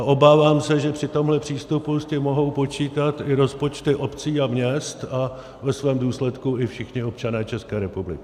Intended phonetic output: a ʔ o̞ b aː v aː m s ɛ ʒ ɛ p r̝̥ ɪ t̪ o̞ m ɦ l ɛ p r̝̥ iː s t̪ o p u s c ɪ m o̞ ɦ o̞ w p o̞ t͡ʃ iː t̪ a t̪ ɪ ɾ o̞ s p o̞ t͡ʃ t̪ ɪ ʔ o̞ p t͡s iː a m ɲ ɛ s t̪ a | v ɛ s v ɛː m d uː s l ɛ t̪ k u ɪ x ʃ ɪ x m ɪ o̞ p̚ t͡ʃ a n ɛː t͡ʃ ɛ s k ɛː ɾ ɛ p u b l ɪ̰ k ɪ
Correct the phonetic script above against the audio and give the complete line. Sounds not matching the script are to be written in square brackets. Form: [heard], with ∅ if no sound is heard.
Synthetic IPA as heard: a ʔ o̞ b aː v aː m s ɛ ʒ ɛ p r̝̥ ɪ t̪ o̞ m ɦ l ɛ p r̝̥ iː s t̪ [u] p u s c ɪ m o̞ ɦ o̞ w p o̞ t͡ʃ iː t̪ a t̪ ɪ ɾ o̞ s p o̞ t͡ʃ t̪ ɪ ʔ o̞ p t͡s iː a m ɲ ɛ s t̪ a | v ɛ s v ɛː m d uː s l ɛ t̪ k u ɪ [f] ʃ ɪ x [ɲ] ɪ o̞ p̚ t͡ʃ a n ɛː t͡ʃ ɛ s k ɛː ɾ ɛ p u b l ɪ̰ k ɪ